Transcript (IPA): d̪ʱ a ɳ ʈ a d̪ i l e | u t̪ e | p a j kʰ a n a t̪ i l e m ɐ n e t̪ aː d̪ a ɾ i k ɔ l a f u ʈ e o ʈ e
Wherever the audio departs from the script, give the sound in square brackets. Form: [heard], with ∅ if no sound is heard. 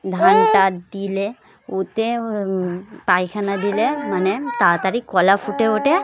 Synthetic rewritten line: d̪ʱ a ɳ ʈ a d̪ i l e | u t̪ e | p a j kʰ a n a [d̪] i l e m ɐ n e t̪ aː [t̪] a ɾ i k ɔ l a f u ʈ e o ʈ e